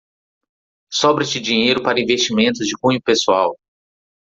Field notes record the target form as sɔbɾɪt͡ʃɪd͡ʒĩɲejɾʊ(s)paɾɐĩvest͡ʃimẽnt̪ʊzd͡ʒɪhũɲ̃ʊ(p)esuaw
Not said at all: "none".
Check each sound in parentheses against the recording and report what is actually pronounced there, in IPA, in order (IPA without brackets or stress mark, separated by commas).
none, p